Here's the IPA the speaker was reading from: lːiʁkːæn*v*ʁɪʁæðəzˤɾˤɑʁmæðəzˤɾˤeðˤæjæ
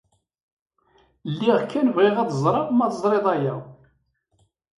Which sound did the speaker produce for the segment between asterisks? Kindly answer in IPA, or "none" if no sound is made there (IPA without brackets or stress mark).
v